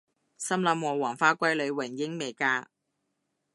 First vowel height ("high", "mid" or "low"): low